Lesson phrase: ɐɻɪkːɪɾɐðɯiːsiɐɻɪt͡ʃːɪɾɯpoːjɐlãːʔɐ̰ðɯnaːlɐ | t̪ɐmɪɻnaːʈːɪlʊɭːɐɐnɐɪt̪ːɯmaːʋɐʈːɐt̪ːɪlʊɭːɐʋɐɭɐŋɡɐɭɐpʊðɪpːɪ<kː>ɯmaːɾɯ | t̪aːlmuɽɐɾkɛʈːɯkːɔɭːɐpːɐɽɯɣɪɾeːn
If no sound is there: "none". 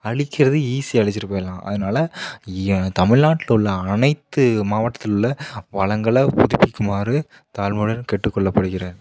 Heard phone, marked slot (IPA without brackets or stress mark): kː